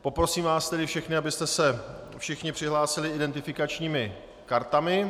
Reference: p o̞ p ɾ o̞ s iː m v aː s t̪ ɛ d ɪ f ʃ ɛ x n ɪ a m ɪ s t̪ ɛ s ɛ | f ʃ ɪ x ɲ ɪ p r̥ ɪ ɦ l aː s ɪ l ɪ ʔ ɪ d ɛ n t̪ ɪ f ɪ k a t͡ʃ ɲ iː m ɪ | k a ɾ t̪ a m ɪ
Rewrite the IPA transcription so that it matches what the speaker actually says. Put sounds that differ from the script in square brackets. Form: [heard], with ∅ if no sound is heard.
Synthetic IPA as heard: p o̞ p ɾ o̞ s iː m v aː s t̪ ɛ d ɪ f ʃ ɛ x n ɪ a [b] ɪ s t̪ ɛ s ɛ | f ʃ ɪ x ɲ ɪ p r̥ ɪ ɦ l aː s ɪ l ɪ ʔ ɪ d ɛ n t̪ ɪ f ɪ k a t͡ʃ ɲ iː m ɪ | k a ɾ t̪ a m ɪ